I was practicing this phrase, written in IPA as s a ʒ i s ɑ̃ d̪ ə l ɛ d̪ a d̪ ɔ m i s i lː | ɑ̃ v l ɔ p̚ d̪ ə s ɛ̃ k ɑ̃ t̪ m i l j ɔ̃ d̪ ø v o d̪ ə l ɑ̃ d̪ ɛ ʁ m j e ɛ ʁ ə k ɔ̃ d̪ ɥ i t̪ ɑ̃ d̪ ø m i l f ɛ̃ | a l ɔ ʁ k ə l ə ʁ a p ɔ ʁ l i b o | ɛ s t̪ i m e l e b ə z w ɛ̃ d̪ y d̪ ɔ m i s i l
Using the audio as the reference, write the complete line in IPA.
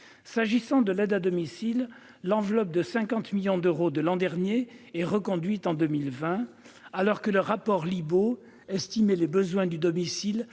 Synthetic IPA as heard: s a ʒ i s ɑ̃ d̪ ə l ɛ d̪ a d̪ ɔ m i s i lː | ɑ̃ v l ɔ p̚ d̪ ə s ɛ̃ k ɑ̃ t̪ m i l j ɔ̃ d̪ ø ʁ o d̪ ə l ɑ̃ d̪ ɛ ʁ n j e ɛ ʁ ə k ɔ̃ d̪ ɥ i t̪ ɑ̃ d̪ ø m i l v ɛ̃ | a l ɔ ʁ k ə l ə ʁ a p ɔ ʁ l i b o | ɛ s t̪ i m e l e b ə z w ɛ̃ d̪ y d̪ ɔ m i s i l